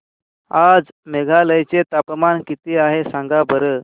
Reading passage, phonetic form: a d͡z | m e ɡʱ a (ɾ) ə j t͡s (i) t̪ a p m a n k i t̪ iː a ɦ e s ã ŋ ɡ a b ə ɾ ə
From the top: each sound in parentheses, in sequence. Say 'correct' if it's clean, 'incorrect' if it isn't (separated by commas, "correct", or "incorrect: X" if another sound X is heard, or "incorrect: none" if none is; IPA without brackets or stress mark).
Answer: incorrect: l, incorrect: e